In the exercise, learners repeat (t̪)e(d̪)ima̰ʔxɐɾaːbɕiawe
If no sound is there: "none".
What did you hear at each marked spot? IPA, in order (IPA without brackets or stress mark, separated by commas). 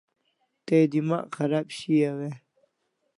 t̪, d̪